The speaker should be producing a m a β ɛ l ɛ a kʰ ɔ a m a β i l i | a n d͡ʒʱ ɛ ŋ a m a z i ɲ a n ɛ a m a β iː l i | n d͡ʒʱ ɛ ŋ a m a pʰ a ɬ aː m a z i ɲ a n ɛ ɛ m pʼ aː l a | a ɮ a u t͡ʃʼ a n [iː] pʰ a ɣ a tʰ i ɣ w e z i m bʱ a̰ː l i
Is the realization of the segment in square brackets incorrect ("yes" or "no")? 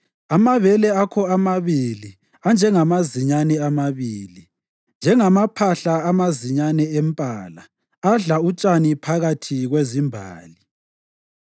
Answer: yes